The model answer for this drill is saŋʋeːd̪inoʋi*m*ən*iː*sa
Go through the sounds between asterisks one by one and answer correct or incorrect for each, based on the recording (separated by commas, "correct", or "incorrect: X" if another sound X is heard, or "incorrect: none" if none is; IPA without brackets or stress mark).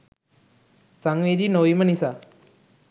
correct, incorrect: i